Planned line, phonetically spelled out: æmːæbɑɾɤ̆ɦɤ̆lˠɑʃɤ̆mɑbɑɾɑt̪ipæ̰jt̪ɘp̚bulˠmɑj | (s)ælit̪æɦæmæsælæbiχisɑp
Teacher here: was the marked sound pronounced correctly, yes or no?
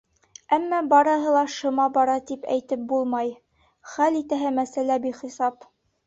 no